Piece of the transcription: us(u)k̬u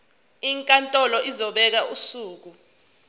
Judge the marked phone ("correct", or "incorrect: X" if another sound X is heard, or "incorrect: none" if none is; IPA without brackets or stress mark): incorrect: uː